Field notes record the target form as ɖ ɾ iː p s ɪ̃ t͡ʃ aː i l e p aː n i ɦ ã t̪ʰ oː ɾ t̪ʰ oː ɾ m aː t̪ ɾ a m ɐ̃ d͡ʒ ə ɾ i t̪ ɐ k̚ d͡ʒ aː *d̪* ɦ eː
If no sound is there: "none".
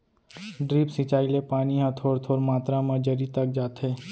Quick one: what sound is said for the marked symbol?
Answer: t̪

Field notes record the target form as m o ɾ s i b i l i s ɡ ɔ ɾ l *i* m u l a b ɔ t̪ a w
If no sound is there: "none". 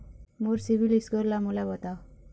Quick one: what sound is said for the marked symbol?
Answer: a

